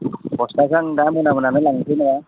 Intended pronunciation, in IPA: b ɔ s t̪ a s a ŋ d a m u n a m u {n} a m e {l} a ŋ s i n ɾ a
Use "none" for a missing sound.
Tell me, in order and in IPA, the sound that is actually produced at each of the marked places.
n, l

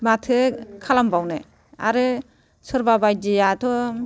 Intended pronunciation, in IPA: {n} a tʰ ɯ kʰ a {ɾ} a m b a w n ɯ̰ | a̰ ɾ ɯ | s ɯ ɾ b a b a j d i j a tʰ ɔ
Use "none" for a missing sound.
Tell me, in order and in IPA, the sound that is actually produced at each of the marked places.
m, l

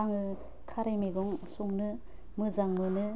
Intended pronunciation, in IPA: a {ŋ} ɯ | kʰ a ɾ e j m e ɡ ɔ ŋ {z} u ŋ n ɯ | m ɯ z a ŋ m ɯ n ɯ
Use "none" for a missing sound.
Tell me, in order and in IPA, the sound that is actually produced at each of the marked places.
ŋ, s

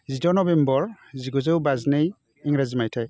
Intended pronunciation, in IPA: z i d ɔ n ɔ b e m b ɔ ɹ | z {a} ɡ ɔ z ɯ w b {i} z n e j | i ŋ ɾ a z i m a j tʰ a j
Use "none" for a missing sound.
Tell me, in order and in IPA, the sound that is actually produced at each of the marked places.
i, a

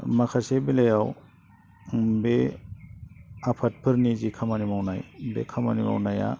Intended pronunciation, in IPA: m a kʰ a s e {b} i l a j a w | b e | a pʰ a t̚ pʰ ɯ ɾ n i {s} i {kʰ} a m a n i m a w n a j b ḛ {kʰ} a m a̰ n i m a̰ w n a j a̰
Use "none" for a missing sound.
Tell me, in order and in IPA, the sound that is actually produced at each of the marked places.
b, z, kʰ, kʰ

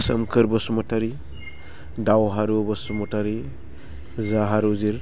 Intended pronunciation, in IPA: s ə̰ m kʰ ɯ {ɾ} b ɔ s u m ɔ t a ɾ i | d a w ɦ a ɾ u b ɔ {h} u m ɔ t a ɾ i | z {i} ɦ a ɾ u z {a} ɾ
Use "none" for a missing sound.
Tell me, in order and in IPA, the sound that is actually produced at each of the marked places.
ɾ, s, a, i

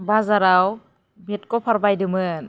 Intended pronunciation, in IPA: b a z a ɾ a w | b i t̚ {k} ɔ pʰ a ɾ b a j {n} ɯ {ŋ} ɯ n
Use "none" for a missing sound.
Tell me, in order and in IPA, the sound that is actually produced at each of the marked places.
k, d, m

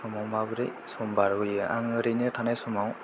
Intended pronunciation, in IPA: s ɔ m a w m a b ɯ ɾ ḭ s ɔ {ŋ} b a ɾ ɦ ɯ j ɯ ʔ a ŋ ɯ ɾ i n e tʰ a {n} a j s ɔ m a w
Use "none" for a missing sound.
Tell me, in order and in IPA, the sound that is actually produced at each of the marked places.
m, n

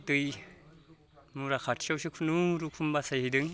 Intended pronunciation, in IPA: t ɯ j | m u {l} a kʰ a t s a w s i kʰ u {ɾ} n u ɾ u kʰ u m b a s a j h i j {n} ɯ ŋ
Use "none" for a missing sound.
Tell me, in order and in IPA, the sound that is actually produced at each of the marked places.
ɾ, none, d

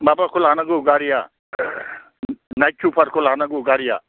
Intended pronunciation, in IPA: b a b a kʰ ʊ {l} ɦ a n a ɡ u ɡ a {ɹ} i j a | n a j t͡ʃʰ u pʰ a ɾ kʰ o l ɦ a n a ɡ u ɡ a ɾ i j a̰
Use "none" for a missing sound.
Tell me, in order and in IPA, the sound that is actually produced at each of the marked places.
l, ɾ

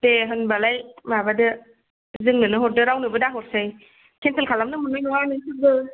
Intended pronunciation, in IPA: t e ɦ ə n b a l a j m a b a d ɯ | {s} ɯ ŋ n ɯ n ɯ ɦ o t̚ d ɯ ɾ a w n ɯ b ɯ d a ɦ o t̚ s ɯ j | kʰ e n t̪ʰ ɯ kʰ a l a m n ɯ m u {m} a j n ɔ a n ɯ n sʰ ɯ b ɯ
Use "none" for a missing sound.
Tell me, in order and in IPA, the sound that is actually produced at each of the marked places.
z, n

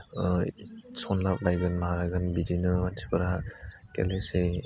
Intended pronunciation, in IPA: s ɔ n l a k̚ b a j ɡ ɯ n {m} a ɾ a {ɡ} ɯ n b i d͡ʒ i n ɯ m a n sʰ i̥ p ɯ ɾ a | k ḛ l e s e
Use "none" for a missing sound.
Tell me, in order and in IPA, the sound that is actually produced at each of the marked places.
m, ɡ

